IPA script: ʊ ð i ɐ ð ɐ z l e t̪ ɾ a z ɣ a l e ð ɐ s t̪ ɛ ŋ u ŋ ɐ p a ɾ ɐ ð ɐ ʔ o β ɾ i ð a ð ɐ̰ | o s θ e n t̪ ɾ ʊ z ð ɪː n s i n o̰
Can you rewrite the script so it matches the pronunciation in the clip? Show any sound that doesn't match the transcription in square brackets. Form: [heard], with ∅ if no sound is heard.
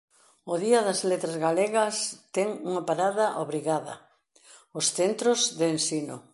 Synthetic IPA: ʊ ð i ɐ ð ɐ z l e t̪ ɾ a z ɣ a l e [ɣ] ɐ s t̪ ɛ ŋ u ŋ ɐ p a ɾ [a] ð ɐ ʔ o β ɾ i [ɣ] a ð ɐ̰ | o s θ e n t̪ ɾ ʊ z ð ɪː n s i n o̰

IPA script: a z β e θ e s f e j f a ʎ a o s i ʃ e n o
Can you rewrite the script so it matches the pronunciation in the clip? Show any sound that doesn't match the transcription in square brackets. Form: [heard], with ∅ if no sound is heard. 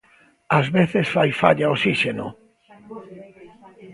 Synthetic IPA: a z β e θ e s f [a] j f a ʎ a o s i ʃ e n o

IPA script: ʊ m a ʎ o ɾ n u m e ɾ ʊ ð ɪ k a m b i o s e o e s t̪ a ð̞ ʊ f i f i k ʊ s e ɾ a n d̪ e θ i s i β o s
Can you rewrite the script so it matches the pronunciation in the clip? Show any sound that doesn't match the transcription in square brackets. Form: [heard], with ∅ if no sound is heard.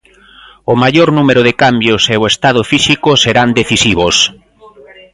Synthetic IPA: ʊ m a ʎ o ɾ n u m e ɾ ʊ ð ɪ k a m b [j] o s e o e s t̪ a ð̞ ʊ f i [s] i k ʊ s e ɾ a n d̪ e θ i s i β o s

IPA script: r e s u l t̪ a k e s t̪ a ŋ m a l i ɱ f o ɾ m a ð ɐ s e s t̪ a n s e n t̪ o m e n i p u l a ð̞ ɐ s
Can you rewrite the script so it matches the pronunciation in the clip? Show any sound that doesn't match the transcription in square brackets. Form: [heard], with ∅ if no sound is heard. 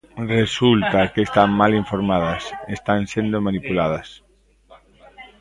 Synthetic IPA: r e s u l t̪ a k e s t̪ a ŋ m a l i ɱ f o ɾ m a ð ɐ s e s t̪ a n s e n [d̪] o m [a] n i p u l a ð̞ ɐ s

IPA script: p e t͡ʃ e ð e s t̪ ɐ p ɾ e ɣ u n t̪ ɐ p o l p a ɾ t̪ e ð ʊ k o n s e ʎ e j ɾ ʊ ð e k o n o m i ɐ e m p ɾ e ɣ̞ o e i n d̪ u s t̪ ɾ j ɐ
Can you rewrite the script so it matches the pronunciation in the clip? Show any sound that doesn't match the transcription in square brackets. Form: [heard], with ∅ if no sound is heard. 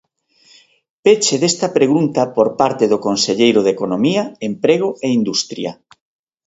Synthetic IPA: p e t͡ʃ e ð e s t̪ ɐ p ɾ e ɣ u n t̪ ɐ p o [ɾ] p a ɾ t̪ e ð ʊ k o n s e ʎ e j ɾ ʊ ð e k o n o m i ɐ e m p ɾ e ɣ̞ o e i n d̪ u s t̪ ɾ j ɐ

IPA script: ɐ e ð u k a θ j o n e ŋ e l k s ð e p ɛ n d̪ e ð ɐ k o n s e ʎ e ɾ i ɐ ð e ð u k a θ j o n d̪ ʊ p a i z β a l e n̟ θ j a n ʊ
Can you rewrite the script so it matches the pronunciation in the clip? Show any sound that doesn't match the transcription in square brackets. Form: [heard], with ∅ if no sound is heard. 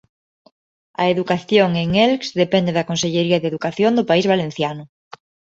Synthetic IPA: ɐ e ð u k a θ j o [ŋ] e ŋ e l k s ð e p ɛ n d̪ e ð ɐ k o n s e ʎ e ɾ i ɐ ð e ð u k a θ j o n d̪ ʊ p a i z β a l e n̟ θ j a n ʊ

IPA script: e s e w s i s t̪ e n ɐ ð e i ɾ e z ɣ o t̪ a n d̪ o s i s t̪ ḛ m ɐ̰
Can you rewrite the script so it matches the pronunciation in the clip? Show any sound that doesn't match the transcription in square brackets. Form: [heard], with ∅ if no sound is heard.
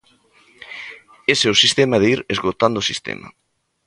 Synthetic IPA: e s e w s i s t̪ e [m] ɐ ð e i ɾ e z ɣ o t̪ a n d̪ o s i s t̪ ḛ m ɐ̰

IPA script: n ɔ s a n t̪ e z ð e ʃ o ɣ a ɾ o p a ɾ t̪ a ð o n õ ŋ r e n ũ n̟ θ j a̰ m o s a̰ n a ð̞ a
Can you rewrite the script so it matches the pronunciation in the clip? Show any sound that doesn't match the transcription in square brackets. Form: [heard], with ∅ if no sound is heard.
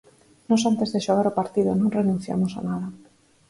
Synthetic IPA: n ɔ s a n t̪ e z ð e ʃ o ɣ a ɾ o p a ɾ t̪ [i] ð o n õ ŋ r e n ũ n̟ θ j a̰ m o s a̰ n a ð̞ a

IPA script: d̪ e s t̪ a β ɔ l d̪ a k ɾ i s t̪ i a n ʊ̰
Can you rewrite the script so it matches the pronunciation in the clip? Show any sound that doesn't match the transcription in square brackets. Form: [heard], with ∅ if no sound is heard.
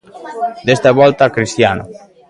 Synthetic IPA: d̪ e s t̪ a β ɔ l [t̪] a k ɾ i s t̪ [j] a n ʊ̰

